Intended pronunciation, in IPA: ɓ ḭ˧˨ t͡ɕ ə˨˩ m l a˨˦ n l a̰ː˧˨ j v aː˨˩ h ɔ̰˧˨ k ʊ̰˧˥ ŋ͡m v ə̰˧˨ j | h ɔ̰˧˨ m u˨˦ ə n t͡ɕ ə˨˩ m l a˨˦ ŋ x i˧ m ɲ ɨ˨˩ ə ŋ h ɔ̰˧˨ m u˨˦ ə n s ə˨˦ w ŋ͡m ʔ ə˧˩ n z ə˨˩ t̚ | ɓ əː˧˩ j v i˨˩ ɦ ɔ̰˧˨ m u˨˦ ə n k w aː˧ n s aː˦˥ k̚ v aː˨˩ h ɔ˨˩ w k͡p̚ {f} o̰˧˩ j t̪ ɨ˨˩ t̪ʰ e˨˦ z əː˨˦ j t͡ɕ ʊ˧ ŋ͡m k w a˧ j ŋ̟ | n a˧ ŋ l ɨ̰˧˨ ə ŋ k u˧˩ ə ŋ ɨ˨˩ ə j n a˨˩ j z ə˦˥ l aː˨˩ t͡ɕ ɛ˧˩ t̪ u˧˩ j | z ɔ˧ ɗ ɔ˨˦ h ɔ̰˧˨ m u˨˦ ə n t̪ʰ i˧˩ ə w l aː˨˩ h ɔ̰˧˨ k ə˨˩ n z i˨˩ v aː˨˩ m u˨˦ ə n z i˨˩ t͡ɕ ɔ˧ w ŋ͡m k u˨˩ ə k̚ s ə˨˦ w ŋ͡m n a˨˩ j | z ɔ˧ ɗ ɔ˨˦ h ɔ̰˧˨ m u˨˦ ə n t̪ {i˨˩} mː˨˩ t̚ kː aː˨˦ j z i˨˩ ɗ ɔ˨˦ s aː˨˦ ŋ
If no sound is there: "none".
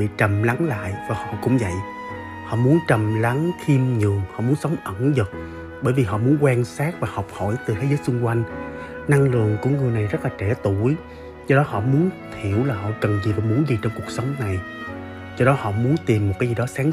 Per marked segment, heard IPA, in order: h, i˨˩

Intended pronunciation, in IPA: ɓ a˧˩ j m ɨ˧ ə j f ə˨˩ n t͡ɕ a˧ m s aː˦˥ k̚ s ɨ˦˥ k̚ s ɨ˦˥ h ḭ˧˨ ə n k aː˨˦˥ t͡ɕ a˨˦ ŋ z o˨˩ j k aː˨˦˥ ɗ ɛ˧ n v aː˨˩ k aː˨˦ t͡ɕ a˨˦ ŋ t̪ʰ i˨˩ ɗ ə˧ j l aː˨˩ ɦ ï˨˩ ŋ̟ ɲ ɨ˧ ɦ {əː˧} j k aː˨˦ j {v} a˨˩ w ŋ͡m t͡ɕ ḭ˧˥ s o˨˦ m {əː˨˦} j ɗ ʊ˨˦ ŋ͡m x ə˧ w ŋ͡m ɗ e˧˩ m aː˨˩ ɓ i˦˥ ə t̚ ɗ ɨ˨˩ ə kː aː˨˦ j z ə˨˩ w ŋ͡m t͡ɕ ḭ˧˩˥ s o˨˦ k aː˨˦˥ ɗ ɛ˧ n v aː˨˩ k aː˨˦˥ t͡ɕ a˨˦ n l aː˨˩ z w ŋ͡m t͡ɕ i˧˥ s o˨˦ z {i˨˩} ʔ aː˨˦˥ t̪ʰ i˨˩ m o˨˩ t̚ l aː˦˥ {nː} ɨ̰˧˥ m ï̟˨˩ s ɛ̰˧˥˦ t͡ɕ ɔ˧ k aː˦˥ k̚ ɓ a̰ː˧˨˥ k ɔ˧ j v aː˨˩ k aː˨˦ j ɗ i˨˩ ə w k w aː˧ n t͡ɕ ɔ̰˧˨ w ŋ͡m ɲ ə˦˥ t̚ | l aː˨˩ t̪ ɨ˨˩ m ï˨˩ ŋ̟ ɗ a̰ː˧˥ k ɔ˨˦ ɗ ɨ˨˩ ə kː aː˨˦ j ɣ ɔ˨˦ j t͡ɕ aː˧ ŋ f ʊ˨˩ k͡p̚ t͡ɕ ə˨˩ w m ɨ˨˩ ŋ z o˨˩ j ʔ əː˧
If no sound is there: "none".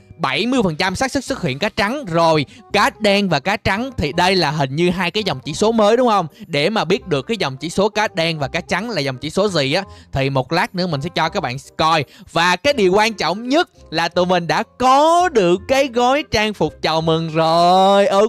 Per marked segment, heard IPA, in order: aː˧, z, əː˨˦, i˨˩, n

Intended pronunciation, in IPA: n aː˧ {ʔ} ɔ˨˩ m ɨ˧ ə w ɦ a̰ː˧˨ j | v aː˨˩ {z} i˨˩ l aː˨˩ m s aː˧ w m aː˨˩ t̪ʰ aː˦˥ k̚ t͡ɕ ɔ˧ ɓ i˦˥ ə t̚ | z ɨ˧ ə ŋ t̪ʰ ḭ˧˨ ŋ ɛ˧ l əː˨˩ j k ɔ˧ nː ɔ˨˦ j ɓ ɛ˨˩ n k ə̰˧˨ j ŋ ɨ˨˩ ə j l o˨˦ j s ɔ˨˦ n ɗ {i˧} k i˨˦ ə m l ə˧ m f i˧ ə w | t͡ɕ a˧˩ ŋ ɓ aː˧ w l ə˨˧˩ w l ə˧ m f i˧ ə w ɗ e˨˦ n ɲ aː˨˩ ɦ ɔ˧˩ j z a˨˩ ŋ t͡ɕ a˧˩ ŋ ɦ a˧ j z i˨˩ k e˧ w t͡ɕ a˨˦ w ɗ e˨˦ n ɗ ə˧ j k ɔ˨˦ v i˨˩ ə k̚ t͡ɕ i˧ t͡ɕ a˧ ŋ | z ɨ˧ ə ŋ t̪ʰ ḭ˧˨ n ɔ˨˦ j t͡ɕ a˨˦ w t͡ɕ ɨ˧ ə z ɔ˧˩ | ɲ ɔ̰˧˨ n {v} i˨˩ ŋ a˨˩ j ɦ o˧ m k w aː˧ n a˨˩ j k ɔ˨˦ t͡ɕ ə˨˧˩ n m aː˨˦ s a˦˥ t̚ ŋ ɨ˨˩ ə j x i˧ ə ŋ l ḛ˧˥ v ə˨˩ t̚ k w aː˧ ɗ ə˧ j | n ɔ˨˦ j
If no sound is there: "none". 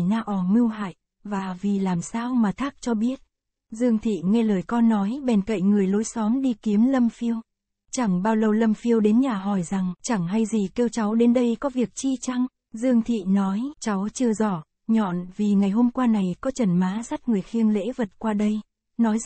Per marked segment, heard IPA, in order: ʔ, v, i˧, v

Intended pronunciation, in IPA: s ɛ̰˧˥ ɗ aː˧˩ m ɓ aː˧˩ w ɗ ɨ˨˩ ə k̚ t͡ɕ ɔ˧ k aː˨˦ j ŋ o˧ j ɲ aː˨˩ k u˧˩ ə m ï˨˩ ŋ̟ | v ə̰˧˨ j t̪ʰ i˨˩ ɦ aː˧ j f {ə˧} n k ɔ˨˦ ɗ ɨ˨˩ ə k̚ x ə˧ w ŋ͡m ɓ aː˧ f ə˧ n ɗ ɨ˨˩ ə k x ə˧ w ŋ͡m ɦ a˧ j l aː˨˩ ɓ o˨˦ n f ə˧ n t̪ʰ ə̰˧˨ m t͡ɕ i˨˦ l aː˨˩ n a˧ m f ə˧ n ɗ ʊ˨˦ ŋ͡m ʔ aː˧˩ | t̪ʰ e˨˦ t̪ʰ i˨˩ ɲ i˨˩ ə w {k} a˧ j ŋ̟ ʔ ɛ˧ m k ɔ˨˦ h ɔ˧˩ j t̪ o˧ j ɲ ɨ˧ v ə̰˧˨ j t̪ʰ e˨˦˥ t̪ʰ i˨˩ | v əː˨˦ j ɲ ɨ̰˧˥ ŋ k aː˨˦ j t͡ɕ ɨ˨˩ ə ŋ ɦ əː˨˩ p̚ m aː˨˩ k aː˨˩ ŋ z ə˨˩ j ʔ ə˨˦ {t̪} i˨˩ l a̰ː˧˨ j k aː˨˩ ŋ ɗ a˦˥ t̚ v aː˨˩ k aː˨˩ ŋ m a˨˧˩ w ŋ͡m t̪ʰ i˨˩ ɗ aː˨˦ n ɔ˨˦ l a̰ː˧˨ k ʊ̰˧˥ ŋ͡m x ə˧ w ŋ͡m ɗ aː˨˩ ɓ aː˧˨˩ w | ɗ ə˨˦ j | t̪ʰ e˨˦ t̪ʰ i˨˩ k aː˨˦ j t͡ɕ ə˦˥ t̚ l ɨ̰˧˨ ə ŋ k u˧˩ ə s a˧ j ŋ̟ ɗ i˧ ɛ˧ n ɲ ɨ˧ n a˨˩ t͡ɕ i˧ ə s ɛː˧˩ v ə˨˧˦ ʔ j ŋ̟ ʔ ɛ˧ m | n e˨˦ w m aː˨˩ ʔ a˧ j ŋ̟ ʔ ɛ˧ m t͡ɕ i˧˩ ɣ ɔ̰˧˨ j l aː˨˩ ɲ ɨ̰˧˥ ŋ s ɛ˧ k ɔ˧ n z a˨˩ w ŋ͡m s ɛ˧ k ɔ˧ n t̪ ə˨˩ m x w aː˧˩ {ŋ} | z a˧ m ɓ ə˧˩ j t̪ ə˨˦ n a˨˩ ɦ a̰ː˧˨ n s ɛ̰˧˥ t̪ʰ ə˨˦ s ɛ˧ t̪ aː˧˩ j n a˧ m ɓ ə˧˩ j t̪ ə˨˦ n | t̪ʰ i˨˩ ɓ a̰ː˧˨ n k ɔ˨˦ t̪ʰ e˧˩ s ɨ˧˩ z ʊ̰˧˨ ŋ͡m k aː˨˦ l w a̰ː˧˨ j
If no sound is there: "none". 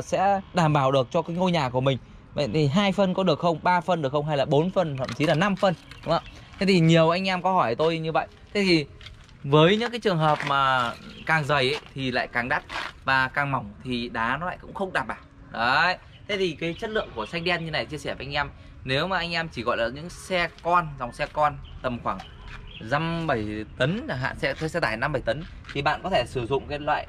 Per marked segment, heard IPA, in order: ə˧, ʔ, t̪ʰ, ŋ

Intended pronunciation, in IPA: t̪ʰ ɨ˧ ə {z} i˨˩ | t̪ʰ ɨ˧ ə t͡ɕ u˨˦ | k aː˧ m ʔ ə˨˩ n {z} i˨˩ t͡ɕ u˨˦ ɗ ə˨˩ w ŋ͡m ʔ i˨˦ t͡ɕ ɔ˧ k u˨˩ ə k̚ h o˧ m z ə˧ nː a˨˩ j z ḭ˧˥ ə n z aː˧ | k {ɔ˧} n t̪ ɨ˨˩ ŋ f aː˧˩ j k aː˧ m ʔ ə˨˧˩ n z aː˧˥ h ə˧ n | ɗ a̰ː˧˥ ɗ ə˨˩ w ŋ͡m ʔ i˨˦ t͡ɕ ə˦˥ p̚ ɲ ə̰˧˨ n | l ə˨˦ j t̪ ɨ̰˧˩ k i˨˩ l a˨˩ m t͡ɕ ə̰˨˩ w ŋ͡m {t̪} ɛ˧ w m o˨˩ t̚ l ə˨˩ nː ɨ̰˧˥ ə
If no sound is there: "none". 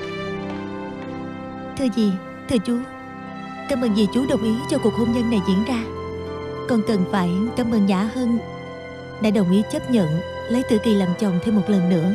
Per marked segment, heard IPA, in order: z, z, ɔ˨˩, t̪ʰ

